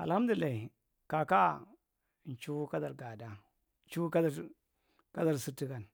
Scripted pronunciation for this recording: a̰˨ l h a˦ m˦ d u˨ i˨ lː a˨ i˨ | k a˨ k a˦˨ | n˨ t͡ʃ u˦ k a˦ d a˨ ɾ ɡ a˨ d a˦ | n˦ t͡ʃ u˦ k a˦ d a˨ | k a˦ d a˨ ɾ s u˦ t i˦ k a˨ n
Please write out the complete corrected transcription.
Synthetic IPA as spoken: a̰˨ l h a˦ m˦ d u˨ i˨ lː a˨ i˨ | k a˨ k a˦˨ | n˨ t͡ʃ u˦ k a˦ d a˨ ɾ ɡ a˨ d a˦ | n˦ t͡ʃ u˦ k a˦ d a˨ | k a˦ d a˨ ɾ s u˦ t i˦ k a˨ n